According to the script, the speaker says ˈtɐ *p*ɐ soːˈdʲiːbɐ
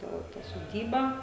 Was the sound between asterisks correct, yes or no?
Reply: no